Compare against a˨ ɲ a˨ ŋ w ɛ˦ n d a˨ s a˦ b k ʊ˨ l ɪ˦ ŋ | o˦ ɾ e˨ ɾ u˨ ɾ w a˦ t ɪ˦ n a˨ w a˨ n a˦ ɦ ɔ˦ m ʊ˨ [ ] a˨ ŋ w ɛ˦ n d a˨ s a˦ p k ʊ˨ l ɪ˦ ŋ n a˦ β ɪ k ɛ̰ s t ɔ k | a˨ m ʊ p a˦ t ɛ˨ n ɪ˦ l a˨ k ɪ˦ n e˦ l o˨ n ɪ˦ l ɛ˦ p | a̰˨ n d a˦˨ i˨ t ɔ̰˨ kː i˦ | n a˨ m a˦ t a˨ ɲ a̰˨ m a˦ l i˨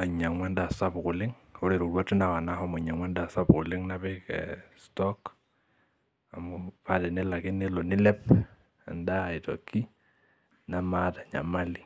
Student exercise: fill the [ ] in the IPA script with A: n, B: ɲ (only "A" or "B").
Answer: B